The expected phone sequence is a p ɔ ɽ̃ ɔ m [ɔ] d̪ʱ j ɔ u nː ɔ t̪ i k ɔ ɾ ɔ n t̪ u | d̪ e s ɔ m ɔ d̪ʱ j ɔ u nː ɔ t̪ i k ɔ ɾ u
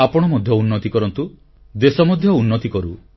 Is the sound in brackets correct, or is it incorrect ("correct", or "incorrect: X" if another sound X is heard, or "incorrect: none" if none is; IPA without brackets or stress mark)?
correct